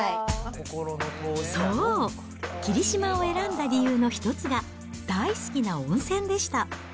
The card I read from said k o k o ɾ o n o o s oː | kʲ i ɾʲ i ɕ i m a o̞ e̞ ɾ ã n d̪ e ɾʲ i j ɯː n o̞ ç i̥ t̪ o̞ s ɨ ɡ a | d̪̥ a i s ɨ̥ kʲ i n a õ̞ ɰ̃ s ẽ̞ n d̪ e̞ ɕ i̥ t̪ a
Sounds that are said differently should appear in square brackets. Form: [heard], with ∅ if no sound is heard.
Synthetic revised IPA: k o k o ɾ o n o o s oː | kʲ i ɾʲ i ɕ i m a o̞ e̞ ɾ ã n d̪ [a] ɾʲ i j ɯː n o̞ ç i̥ t̪ o̞ [t͡s] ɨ ɡ a | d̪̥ a i s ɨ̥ kʲ i n a õ̞ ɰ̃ s ẽ̞ n d̪ e̞ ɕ i̥ t̪ a